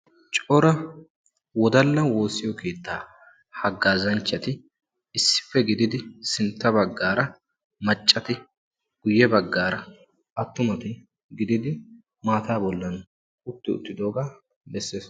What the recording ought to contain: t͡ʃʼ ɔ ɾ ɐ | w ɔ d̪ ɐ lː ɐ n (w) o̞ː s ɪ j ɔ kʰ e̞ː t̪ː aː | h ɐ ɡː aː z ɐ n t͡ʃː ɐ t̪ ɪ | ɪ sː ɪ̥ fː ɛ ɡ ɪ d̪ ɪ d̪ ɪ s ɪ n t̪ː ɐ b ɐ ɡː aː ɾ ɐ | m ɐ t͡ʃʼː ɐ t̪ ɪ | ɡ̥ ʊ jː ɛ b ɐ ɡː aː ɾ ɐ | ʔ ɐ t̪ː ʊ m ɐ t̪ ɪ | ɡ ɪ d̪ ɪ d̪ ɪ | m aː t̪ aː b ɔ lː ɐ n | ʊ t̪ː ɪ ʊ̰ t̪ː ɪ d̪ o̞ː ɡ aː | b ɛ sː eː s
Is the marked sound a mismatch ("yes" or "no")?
no